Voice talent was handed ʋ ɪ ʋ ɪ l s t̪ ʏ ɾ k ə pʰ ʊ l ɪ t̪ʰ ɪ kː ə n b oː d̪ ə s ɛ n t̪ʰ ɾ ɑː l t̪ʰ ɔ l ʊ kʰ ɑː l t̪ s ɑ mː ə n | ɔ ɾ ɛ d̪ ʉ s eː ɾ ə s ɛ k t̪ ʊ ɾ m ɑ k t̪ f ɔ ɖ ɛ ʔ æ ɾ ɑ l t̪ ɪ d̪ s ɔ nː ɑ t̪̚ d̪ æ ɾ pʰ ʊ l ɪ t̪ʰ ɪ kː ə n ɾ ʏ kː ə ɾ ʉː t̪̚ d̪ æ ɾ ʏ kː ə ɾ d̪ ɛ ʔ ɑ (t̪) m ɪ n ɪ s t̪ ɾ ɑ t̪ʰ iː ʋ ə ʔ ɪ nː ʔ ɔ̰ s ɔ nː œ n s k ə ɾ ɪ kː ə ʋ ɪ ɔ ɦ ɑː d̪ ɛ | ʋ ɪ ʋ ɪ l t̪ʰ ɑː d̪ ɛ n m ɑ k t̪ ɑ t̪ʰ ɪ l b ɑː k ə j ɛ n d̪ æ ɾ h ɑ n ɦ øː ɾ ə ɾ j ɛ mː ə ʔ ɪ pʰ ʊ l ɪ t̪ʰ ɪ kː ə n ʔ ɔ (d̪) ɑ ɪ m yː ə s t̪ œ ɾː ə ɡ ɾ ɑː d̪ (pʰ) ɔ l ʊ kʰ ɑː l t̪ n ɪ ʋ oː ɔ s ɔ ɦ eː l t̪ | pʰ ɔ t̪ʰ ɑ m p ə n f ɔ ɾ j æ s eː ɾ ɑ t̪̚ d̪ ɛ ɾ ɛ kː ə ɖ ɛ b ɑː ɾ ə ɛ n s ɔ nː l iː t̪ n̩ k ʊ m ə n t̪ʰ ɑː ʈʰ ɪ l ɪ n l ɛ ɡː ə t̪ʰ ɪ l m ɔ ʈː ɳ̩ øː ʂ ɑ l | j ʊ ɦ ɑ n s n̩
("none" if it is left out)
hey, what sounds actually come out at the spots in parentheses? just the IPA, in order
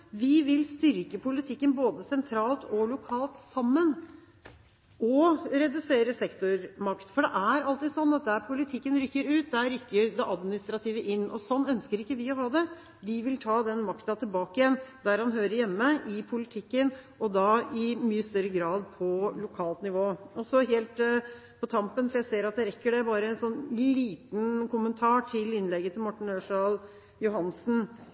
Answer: d̪, d̪, pʰ

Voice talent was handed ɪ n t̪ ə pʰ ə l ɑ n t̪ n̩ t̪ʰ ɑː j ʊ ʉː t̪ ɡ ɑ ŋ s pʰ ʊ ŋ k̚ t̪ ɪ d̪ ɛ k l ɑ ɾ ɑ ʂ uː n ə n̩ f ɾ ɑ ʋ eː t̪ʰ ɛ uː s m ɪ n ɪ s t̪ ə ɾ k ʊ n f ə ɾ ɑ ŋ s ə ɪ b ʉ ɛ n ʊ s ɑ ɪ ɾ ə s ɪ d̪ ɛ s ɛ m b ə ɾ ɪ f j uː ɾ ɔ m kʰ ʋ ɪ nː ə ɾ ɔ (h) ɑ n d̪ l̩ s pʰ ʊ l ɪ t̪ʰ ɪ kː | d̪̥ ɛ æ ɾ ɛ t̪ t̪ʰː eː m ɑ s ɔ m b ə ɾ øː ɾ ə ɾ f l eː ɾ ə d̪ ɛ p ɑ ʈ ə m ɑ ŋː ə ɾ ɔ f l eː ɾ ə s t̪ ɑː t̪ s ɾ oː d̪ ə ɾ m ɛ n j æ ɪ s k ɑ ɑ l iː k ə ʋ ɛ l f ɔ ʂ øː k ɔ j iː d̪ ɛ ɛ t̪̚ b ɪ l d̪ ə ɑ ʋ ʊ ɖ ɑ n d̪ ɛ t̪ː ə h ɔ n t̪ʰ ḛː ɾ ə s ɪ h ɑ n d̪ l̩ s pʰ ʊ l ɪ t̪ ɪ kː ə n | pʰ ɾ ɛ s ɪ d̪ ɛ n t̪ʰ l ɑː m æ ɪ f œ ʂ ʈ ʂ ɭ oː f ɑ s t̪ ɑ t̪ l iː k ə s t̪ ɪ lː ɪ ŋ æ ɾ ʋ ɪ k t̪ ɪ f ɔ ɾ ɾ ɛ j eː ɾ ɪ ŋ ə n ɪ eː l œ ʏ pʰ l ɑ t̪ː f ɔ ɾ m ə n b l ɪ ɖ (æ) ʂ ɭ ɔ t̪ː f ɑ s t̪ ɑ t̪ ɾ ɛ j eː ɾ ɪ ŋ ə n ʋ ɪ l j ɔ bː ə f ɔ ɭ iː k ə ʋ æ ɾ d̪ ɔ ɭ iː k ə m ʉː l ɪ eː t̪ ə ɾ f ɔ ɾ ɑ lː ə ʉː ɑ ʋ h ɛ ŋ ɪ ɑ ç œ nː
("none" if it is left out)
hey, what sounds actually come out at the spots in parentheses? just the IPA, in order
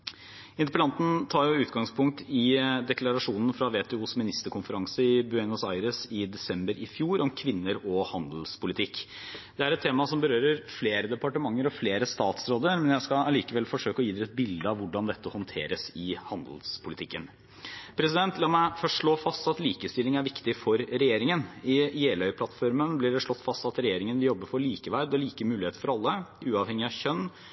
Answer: h, ɛ

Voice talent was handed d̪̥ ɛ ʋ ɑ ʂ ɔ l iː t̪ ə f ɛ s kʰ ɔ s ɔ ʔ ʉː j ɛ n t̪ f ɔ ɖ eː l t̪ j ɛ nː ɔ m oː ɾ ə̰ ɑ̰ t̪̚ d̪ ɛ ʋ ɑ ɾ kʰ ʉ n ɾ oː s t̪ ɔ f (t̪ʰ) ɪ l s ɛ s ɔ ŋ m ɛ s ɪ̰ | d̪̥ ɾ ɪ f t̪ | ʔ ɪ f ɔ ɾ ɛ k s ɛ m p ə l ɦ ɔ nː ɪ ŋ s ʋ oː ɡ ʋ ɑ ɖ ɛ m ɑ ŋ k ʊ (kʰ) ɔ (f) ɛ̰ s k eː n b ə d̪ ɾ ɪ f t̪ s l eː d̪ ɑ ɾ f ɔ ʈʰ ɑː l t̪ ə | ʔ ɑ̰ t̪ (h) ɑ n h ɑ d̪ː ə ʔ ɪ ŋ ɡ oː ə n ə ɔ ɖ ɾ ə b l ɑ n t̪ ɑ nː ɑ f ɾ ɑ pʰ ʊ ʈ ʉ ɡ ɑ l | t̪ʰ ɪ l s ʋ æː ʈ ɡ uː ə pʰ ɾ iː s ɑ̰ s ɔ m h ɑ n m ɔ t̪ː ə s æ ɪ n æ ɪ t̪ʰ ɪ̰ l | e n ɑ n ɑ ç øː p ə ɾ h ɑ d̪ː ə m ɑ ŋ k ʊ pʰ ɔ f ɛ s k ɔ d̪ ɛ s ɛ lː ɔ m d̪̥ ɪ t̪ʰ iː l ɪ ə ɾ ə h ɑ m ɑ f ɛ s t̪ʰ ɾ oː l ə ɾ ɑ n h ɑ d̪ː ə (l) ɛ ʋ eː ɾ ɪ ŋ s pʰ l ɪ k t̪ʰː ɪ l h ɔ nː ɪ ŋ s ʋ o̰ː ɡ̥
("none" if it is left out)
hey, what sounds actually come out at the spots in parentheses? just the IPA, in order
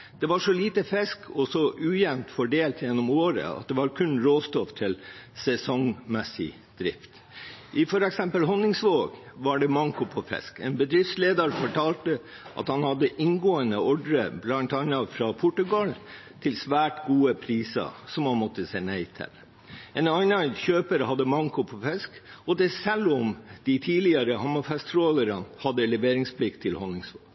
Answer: t̪ʰ, pʰ, f, h, l

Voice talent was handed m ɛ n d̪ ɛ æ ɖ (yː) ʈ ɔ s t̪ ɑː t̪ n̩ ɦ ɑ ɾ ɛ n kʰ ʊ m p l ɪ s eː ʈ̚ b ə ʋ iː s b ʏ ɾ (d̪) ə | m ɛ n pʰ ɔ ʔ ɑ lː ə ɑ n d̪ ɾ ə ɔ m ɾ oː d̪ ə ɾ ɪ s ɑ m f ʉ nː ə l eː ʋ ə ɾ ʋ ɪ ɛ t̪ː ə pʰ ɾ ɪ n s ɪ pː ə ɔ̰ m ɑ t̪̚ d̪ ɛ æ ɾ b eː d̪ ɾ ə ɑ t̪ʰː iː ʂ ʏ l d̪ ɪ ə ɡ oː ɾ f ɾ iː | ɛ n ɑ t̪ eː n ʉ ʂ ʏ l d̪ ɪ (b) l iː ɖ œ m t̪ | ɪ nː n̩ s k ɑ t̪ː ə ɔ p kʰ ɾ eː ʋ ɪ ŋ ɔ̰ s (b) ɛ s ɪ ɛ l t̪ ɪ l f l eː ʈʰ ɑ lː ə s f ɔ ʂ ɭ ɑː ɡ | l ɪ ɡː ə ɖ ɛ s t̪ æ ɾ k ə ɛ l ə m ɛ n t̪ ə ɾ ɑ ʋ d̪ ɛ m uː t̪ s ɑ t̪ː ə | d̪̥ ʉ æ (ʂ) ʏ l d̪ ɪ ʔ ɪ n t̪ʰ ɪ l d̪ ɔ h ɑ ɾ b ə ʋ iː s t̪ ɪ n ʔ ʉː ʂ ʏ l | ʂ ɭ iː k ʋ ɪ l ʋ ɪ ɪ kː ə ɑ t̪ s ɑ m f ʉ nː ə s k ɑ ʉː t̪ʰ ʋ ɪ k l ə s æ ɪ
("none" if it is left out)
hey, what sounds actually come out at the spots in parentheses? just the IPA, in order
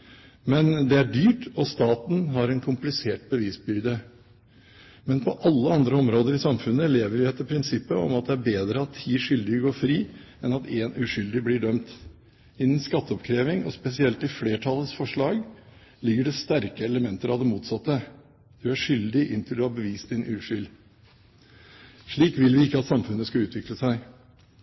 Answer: yː, d̪, b, p, ʂ

